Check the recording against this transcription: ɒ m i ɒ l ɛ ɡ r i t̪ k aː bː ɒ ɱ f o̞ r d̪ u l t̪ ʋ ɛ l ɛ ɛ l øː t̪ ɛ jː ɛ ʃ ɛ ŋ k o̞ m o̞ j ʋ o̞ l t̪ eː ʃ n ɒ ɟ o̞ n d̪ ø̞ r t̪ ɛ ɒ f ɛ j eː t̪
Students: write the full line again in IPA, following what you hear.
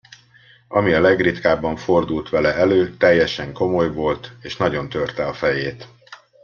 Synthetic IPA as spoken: ɒ m i ɒ l ɛ ɡ r i t̪ k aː bː ɒ ɱ f o̞ r d̪ u l t̪ ʋ ɛ l ɛ ɛ l øː t̪ ɛ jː ɛ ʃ ɛ ŋ k o̞ m o̞ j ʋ o̞ l t̪ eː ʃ n ɒ ɟ o̞ n t̪ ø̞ r t̪ ɛ ɒ f ɛ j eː t̪